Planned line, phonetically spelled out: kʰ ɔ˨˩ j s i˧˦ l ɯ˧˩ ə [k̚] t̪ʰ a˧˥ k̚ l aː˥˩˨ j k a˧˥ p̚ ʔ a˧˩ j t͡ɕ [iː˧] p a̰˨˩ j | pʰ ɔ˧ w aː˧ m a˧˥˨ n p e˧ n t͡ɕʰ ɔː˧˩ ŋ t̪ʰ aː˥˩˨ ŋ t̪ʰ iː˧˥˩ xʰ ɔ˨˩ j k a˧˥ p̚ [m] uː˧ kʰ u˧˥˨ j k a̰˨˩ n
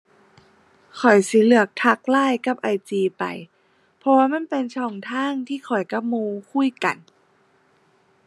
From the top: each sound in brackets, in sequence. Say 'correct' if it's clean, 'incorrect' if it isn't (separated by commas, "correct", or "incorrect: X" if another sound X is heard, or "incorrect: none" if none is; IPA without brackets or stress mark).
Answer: correct, correct, correct